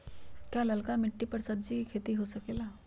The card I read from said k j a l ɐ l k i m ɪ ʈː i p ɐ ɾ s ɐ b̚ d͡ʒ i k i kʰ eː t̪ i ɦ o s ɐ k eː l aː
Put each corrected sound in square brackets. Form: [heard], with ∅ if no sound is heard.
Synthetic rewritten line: k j a l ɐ l k [a] m ɪ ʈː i p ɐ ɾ s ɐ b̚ d͡ʒ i k i kʰ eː t̪ i ɦ o s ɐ k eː l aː